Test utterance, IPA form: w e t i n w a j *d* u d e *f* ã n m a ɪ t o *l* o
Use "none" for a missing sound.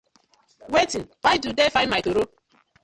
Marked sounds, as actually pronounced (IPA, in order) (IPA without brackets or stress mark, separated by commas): d, f, ɾ